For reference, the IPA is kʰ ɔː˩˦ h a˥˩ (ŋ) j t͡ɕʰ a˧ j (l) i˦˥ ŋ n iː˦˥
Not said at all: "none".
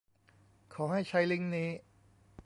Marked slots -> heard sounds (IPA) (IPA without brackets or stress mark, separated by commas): none, l